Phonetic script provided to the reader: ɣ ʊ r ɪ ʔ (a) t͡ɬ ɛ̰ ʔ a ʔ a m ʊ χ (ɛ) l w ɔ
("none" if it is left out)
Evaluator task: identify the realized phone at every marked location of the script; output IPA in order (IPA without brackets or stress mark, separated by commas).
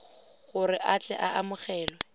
a, ɛː